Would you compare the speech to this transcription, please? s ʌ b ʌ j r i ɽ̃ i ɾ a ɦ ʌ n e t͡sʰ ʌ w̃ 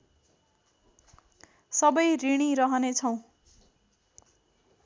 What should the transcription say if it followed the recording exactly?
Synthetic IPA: s ʌ b ʌ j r i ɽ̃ i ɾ ʌ ɦ ʌ n e t͡sʰ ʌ w̃